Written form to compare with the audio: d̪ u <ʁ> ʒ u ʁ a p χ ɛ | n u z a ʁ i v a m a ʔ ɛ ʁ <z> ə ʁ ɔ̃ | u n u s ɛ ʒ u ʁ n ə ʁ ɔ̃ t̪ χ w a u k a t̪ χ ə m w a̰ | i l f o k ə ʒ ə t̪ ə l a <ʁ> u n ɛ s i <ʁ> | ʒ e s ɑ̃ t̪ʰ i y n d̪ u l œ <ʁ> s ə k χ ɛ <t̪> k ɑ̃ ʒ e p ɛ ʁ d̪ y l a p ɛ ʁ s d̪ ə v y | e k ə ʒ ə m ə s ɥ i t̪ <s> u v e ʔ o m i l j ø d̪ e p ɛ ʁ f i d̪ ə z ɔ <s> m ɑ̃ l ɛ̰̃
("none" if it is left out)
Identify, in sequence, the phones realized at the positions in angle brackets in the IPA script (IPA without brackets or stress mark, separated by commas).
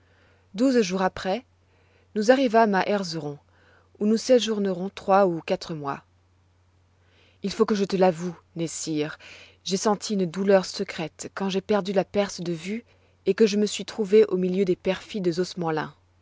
z, z, v, ʁ, ʁ, t̪, χ, s